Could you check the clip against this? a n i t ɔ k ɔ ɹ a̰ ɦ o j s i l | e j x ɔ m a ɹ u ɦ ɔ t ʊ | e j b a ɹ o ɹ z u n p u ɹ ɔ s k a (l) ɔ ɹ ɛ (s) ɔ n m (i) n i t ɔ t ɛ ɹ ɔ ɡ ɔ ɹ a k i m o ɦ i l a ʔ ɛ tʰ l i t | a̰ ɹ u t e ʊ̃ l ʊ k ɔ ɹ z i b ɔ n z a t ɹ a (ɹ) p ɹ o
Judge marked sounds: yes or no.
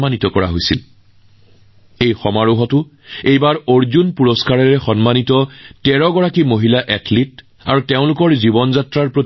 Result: no, no, no, yes

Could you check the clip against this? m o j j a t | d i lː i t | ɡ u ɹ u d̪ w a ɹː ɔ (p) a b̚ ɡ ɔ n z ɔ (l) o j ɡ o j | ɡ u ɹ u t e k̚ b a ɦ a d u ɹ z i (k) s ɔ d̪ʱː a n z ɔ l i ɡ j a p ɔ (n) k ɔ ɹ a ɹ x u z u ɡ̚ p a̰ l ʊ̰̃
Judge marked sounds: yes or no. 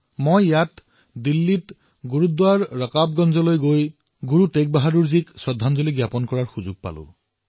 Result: no, yes, yes, yes

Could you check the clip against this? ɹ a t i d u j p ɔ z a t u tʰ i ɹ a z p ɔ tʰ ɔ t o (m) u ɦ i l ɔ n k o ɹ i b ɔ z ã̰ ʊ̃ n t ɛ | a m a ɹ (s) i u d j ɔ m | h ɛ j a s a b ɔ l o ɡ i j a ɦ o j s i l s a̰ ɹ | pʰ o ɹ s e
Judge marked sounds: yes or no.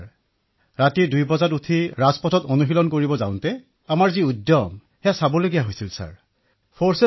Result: no, no

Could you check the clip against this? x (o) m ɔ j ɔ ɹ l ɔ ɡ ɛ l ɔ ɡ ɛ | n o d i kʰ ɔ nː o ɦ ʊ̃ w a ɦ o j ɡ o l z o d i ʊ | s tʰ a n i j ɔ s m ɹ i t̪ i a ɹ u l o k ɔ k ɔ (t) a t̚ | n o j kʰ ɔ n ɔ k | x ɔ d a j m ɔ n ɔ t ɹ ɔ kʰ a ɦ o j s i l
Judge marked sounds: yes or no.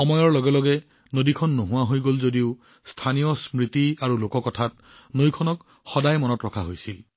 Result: no, no

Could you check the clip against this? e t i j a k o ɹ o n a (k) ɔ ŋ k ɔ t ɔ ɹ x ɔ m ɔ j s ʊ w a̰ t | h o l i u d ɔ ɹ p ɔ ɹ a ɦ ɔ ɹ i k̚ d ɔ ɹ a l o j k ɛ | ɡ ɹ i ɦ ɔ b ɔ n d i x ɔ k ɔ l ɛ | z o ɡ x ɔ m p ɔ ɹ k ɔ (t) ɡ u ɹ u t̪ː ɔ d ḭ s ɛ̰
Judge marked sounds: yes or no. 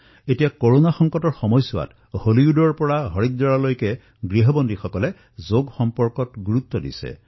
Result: no, yes

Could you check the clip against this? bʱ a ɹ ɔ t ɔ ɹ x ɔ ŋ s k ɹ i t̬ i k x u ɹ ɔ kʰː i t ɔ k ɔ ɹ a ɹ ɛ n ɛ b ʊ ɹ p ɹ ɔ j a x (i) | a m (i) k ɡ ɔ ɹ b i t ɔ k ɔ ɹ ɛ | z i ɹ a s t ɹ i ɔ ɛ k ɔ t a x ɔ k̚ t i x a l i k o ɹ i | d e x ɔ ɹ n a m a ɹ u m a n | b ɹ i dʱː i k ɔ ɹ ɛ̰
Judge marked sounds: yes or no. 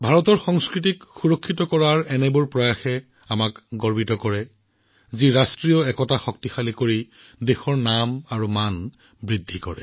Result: no, no

